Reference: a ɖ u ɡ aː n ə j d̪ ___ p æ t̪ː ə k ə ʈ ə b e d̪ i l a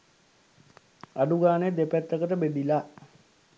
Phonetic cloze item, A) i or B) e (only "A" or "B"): B